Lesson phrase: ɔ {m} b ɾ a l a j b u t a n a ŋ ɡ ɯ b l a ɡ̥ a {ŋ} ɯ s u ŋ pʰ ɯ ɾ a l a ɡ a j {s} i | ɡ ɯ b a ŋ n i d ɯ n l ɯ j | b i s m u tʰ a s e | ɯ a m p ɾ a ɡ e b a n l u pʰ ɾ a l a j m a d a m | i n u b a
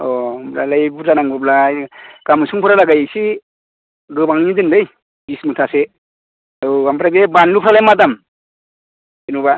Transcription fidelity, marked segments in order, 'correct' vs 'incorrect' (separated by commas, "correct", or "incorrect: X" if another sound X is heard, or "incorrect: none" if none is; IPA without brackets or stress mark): correct, incorrect: m, correct